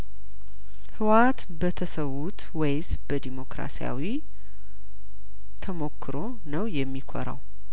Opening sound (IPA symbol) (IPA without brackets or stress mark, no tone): h